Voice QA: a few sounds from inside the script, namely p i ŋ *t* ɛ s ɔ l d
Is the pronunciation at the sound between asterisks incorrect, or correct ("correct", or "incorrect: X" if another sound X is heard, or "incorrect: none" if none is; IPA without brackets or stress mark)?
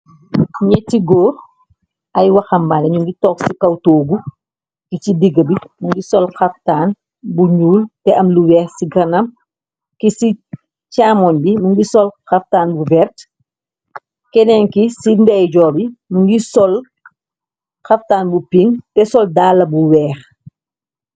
correct